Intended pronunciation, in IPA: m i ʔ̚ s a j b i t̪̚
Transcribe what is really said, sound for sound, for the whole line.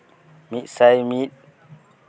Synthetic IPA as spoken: m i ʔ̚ s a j m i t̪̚

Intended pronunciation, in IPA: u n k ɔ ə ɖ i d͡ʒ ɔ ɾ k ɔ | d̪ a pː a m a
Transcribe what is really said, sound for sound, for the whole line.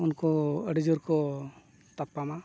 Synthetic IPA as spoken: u n k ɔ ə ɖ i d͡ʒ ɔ ɾ k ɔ | t̪ a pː a m a

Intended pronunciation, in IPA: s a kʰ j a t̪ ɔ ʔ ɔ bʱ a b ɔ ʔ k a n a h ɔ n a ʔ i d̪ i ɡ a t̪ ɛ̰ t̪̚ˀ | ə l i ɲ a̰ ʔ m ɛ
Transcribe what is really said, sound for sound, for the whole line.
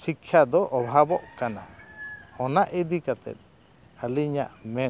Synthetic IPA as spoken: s i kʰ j a d̪ ɔ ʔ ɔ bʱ a b ɔ ʔ k a n a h ɔ n a ʔ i d̪ i k a t̪ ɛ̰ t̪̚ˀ | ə l i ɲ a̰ ʔ m ɛ

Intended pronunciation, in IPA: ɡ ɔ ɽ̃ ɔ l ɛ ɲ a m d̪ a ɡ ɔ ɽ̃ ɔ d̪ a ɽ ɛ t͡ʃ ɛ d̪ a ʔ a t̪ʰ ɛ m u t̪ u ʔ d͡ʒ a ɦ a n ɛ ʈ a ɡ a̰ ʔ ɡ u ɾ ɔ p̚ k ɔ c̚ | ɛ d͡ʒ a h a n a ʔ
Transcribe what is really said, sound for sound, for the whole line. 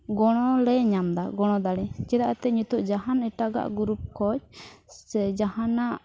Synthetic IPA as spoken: ɡ ɔ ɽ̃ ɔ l ɛ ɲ a m d̪ a ɡ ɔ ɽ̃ ɔ d̪ a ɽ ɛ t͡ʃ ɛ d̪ a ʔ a t̪ ɛ ɲ u t̪ u ʔ d͡ʒ a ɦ a n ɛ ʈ a ɡ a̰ ʔ ɡ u ɾ u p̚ k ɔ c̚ | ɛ d͡ʒ a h a n a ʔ

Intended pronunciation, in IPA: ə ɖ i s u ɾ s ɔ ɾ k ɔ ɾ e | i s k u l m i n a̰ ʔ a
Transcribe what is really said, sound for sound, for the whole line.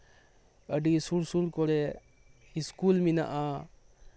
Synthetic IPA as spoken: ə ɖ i s u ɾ s u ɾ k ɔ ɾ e | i s k u l m i n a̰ ʔ a

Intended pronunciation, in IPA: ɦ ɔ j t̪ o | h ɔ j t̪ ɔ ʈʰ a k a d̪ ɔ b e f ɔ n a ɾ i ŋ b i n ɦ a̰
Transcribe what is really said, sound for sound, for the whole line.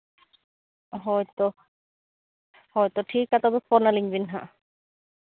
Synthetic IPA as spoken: ɦ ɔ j t̪ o | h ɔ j t̪ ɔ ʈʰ i k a t̪ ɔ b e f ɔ n a l i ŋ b i n ɦ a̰

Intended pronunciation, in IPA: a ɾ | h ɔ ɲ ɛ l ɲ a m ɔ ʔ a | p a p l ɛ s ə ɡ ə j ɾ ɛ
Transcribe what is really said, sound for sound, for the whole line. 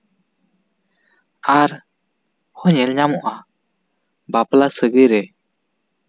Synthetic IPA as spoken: a ɾ | h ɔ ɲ ɛ l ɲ a m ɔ ʔ a | b a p l a s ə ɡ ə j ɾ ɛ

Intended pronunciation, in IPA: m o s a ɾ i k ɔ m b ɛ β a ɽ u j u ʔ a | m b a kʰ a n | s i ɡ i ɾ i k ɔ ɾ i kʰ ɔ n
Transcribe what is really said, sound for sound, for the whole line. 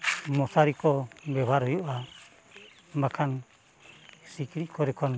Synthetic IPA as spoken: m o s a ɾ i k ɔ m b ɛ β a ɾ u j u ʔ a | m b a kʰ a n | s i k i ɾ i k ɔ ɾ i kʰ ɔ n

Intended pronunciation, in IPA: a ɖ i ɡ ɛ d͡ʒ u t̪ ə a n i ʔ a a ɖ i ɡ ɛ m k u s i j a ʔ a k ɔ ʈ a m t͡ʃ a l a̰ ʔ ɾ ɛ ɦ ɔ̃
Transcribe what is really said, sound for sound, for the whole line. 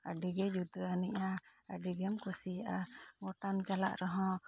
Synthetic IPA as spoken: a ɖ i ɡ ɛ d͡ʒ u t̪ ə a n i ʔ a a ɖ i ɡ ɛ m k u s i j a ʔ a ɡ ɔ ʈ a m t͡ʃ a l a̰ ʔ ɾ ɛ ɦ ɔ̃

